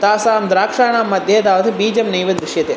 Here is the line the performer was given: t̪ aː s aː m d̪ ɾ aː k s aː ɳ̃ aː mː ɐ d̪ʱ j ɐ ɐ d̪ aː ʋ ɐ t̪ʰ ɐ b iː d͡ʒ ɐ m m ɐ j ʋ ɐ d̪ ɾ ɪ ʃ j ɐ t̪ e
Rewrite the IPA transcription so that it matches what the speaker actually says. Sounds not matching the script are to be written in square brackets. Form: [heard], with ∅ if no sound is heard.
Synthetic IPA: t̪ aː s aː m d̪ ɾ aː k [ʂ] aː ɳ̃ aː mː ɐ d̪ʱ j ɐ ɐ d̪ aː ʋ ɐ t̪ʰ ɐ b iː d͡ʒ ɐ m [n] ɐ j ʋ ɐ d̪ ɾ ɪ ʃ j ɐ t̪ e